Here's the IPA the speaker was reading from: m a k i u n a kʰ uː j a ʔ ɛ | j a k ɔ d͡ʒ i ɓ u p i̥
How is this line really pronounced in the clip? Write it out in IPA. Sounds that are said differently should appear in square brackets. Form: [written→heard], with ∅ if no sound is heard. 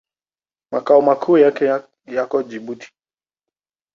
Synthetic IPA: m a k [i→a] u [n→m] a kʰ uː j a [ʔ→k] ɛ | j a k ɔ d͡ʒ i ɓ u [p→t] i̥